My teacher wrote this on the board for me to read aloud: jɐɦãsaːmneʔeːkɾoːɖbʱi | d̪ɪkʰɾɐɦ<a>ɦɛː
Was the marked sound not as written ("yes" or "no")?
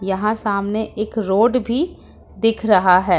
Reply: no